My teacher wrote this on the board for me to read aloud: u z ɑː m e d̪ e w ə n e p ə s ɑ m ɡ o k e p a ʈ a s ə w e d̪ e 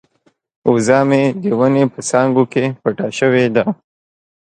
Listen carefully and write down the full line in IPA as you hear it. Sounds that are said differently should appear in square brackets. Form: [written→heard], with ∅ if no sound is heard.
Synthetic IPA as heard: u z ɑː m e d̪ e w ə n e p ə s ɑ [m→ŋ] ɡ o k e p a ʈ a [s→ʃ] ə w e d̪ [e→a]